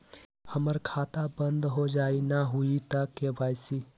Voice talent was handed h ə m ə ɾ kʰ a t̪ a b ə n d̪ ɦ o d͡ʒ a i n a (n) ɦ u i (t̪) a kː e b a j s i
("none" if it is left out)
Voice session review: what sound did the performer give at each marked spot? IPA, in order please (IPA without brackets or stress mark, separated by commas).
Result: none, t̪